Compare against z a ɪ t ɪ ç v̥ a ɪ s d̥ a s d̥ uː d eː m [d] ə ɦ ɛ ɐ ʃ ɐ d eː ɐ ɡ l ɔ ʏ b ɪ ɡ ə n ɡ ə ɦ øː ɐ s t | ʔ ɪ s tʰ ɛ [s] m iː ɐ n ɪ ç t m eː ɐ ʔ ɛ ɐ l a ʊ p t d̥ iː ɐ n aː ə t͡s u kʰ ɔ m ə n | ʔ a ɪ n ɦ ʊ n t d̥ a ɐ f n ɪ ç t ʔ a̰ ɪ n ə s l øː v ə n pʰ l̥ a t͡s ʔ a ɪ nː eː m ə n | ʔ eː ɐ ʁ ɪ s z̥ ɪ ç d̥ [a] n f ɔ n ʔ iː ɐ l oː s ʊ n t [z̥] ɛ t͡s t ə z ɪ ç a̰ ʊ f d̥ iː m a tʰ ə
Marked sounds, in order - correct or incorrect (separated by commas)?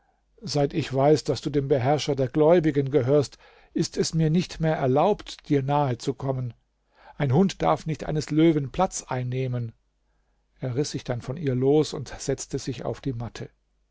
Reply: incorrect, correct, correct, correct